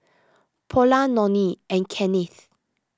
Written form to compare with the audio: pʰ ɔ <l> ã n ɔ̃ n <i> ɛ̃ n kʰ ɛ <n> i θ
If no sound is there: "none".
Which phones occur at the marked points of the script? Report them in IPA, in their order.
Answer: l, i, n

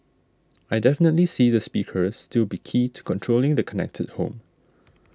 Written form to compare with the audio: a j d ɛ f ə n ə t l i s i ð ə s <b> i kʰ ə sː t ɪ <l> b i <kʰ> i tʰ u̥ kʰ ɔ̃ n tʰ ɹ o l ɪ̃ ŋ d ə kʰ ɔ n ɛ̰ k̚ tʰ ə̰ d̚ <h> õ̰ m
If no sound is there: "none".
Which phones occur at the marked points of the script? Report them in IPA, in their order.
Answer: p, l, kʰ, h

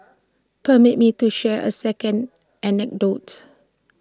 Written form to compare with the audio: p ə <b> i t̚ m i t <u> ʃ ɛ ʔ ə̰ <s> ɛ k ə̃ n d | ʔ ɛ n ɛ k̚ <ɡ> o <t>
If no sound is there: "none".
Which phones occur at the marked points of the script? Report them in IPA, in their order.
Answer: m, u, s, d, t

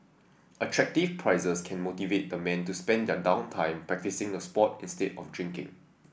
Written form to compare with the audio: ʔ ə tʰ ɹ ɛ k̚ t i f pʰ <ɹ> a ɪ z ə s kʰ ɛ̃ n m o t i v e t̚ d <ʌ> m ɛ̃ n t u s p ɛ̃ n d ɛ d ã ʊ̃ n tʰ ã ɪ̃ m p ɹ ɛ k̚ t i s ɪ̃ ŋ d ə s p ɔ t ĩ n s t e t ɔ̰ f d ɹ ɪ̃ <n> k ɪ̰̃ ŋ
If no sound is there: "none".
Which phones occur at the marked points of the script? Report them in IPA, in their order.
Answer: ɹ, ə, ŋ

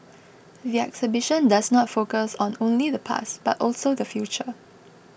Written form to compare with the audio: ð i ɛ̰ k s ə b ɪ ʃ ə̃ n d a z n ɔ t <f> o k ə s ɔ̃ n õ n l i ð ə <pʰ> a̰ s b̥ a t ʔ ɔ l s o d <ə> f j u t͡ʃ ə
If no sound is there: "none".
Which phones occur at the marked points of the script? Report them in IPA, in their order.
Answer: f, pʰ, ə

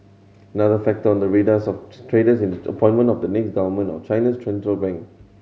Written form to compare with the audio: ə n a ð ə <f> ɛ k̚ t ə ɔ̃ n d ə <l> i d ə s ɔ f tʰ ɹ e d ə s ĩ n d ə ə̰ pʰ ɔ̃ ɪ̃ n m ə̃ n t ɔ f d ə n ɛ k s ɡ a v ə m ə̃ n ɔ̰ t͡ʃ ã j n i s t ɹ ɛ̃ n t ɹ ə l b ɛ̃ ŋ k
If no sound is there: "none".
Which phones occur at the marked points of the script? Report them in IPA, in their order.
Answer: f, ɹ

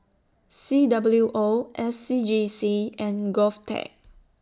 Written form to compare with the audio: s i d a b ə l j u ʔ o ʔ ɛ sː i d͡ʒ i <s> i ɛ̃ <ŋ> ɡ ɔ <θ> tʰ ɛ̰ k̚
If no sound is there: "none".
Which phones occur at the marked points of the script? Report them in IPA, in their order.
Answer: s, n, f

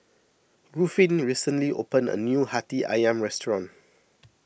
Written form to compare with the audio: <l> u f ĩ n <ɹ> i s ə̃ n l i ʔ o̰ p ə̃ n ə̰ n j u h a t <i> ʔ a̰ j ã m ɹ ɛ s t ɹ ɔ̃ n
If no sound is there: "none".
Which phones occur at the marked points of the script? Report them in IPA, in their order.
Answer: ɹ, ɹ, i

